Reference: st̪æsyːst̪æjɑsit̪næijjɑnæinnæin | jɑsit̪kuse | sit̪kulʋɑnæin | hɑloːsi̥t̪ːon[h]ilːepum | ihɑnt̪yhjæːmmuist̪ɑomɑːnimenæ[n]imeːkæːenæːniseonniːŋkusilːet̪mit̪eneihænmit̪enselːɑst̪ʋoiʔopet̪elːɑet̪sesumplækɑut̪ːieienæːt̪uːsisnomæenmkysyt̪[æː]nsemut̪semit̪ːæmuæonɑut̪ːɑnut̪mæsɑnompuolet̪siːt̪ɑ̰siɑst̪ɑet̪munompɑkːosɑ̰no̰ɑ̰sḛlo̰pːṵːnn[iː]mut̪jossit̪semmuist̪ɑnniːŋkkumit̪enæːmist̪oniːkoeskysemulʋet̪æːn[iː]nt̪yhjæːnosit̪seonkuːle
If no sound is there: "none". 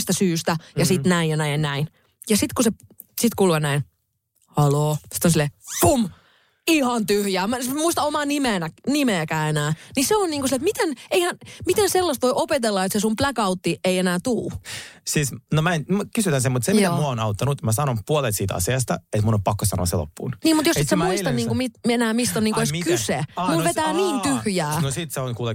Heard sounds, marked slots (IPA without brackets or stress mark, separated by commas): s, n, æ, iː, iː